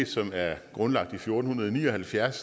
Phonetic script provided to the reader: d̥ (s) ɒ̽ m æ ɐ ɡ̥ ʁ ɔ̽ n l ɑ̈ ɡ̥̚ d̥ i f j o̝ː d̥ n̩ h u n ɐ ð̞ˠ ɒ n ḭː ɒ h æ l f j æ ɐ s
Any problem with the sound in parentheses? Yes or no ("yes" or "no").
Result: no